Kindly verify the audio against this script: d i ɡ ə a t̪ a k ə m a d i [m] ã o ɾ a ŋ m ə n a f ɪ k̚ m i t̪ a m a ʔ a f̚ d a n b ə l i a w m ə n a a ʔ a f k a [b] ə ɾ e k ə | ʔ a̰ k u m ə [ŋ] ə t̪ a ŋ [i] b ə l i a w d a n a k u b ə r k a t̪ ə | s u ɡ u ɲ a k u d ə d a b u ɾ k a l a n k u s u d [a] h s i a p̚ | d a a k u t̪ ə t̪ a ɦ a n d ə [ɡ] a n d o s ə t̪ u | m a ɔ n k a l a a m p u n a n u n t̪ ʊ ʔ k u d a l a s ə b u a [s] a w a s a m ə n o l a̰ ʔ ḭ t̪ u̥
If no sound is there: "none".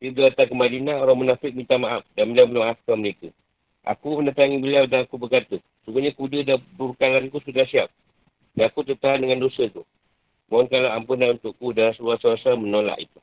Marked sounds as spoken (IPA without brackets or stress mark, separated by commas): n, m, n, i, a, ŋ, s